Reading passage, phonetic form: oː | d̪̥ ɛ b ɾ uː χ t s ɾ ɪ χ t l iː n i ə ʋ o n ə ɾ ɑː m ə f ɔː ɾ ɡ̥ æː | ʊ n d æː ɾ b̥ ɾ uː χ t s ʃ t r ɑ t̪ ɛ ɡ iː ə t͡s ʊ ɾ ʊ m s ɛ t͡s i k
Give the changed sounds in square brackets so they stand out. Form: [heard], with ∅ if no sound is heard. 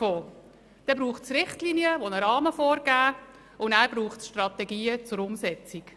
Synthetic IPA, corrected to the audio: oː | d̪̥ ɛ b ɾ uː χ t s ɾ ɪ χ t l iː n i ə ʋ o n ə ɾ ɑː m ə f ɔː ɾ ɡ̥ æː | ʊ n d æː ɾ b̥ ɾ uː χ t s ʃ t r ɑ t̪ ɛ ɡ iː ə t͡s ʊ ɾ ʊ m s ɛ t͡s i k